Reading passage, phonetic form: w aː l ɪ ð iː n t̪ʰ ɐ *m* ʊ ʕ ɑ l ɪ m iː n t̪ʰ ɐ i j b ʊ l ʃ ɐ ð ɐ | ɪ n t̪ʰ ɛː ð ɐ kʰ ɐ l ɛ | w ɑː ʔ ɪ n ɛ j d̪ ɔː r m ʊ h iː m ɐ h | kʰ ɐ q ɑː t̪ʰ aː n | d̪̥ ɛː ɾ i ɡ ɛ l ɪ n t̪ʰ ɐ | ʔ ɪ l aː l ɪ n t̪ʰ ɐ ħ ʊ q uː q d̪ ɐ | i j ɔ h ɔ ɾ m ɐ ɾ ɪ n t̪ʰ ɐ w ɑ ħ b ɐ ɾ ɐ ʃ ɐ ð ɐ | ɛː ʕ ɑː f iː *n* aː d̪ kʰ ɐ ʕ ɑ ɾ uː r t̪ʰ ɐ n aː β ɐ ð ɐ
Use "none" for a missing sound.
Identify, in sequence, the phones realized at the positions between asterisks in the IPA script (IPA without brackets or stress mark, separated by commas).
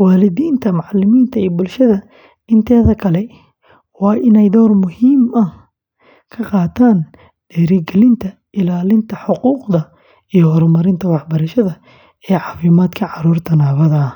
m, m